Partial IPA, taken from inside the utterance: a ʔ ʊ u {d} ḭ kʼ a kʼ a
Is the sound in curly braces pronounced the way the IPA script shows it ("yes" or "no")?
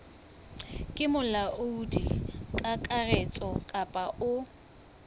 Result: yes